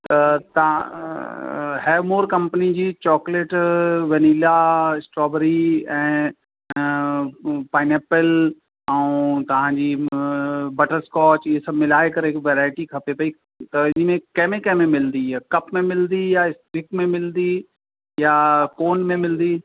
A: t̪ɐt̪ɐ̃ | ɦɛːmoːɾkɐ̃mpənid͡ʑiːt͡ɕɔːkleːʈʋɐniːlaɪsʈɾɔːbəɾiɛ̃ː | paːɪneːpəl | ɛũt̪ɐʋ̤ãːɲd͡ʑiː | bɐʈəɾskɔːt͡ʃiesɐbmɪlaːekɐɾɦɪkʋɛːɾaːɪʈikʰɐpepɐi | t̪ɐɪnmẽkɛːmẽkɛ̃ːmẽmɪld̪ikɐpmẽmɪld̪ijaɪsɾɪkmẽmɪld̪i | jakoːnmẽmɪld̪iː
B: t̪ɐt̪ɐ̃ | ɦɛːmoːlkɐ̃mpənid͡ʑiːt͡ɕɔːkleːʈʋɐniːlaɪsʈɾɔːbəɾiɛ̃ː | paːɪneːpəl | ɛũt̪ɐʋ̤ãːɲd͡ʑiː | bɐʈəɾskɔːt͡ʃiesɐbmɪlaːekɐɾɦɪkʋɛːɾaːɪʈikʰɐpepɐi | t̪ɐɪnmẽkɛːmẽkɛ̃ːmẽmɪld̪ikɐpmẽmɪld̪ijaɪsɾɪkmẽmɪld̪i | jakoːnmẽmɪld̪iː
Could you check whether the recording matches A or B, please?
A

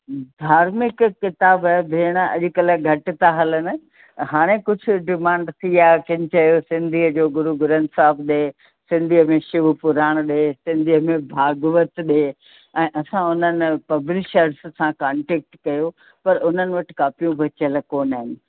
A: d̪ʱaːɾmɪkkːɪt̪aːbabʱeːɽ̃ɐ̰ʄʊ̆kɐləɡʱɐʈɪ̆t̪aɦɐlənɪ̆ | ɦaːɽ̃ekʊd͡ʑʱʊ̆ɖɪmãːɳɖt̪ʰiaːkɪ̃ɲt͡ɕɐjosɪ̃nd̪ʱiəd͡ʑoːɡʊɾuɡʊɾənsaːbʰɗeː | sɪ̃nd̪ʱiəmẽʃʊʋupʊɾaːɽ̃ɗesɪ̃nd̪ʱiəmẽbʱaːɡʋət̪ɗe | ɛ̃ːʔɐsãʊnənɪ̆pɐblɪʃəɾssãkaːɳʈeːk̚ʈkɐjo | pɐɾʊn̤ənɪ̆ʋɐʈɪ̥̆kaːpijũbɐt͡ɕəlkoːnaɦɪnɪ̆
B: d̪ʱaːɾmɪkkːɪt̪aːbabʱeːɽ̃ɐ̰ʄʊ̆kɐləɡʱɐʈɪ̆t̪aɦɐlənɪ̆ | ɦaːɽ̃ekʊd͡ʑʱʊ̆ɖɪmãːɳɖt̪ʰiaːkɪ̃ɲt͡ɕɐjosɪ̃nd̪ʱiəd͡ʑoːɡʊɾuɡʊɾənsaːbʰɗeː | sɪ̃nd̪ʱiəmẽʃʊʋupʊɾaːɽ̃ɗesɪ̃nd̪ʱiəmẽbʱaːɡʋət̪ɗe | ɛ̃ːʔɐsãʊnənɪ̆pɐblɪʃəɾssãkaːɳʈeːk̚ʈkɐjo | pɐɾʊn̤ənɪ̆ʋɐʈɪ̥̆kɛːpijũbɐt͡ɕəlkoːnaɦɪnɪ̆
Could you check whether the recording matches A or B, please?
A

